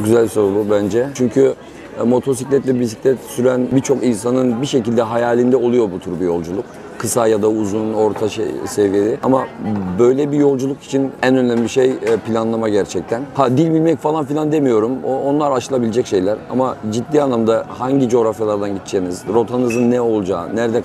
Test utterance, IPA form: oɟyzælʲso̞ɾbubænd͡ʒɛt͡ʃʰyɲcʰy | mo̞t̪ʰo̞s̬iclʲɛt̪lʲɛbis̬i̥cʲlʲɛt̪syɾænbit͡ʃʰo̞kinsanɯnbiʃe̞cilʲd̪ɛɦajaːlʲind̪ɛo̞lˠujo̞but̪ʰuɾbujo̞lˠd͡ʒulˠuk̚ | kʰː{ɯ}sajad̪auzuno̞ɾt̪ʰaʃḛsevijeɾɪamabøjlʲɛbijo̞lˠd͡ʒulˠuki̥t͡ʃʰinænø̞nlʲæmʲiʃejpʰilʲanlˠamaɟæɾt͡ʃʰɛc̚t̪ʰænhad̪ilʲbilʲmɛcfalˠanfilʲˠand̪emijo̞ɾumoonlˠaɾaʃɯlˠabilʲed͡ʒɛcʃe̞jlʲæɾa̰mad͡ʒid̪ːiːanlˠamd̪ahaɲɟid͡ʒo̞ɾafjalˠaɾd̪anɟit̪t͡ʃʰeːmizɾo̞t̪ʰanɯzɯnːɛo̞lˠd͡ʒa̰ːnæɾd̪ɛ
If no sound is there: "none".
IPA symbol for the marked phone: ɯ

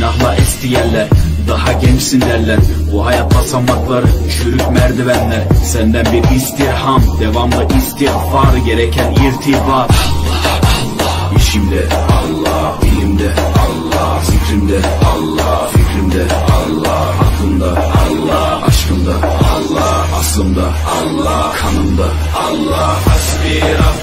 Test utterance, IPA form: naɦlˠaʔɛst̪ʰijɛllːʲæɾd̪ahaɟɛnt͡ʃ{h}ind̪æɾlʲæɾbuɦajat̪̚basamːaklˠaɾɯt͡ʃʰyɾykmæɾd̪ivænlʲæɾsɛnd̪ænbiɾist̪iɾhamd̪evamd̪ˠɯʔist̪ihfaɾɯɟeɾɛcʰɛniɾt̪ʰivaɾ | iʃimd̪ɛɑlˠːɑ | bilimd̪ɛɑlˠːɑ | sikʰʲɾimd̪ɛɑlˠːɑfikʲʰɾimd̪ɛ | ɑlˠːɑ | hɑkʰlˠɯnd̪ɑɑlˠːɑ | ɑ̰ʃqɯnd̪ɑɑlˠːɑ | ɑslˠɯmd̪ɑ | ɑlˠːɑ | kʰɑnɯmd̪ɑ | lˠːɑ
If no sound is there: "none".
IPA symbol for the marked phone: s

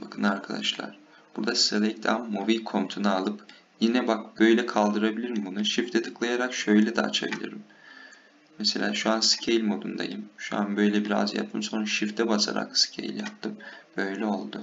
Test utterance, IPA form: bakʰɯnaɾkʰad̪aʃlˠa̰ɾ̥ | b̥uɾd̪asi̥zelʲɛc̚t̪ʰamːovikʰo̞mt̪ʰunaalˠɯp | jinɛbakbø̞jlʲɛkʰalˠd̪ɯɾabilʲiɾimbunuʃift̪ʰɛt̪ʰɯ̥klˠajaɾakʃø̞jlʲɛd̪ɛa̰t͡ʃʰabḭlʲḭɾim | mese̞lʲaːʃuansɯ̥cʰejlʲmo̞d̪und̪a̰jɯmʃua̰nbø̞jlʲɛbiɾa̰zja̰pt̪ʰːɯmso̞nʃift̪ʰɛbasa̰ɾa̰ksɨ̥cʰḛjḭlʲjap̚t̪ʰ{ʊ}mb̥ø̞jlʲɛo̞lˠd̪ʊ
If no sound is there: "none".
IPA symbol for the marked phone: ɯ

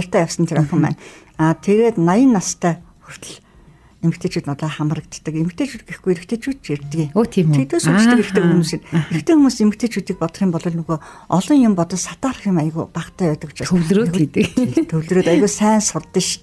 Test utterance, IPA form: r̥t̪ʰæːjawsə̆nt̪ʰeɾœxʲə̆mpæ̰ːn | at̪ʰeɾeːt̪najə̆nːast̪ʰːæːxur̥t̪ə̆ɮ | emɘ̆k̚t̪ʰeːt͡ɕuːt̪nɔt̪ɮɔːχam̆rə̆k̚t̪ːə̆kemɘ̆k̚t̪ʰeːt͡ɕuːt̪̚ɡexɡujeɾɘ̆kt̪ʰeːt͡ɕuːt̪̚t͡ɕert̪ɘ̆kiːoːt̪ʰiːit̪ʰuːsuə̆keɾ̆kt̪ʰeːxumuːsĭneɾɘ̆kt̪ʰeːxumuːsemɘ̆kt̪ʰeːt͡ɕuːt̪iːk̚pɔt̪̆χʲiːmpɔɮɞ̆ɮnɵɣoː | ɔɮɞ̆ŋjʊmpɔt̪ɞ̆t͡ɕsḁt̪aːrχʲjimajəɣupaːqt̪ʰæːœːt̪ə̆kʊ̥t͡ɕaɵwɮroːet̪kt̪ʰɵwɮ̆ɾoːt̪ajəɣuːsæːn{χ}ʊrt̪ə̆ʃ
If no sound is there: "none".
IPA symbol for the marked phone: s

